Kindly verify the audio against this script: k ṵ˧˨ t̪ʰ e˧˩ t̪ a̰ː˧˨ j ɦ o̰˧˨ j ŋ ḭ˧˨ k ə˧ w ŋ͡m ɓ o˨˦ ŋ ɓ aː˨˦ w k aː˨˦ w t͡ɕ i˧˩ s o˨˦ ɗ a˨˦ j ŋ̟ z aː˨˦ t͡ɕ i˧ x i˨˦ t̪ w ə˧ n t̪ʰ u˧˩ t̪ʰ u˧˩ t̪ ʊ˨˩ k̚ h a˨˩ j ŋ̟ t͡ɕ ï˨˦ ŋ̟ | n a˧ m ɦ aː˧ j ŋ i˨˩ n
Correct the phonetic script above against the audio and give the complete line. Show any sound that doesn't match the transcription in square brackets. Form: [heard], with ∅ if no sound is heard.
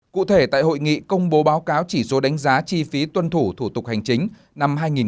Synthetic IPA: k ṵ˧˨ t̪ʰ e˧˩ t̪ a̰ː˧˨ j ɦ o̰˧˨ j ŋ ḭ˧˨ k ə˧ w ŋ͡m ɓ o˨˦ [∅] ɓ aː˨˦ w k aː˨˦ w t͡ɕ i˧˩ s o˨˦ ɗ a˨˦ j ŋ̟ z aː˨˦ t͡ɕ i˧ [f] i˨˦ t̪ w ə˧ n t̪ʰ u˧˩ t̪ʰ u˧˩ t̪ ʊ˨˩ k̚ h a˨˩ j ŋ̟ t͡ɕ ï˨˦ ŋ̟ | n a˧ m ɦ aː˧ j ŋ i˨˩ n